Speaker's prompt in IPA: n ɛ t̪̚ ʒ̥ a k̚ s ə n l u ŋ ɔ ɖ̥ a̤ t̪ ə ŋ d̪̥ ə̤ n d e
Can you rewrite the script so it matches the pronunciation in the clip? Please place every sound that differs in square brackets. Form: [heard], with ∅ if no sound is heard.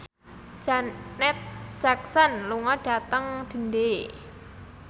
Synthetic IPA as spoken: n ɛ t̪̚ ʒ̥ a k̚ s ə n l u ŋ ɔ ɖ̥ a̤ t̪ ə ŋ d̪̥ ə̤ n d e